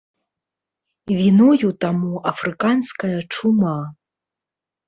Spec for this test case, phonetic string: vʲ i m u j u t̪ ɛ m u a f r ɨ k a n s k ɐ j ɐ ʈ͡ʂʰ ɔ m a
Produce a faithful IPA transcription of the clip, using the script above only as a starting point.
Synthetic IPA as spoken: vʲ i n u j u t̪ a m u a f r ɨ k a n s k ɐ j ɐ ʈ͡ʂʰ u m a